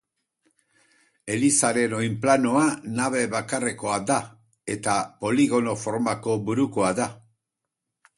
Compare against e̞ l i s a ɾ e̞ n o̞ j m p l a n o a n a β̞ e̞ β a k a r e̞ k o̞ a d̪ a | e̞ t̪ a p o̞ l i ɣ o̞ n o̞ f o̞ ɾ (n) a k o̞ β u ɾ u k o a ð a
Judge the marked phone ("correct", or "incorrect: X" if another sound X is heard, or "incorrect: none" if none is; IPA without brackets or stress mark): incorrect: m